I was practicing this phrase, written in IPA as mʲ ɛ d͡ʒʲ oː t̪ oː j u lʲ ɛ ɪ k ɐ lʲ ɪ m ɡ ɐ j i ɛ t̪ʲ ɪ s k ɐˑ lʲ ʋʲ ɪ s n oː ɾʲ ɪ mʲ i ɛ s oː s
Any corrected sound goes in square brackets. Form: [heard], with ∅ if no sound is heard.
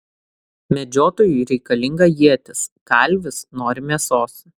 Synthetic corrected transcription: mʲ ɛ d͡ʒʲ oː t̪ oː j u [ɾʲ] ɛ ɪ k ɐ lʲ ɪ [ŋ] ɡ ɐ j i ɛ t̪ʲ ɪ s k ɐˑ lʲ ʋʲ ɪ s n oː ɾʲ ɪ mʲ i ɛ s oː s